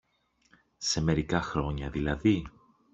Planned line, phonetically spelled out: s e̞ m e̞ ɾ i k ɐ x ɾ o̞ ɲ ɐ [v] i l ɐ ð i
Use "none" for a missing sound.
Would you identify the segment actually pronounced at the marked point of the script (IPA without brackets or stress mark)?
ð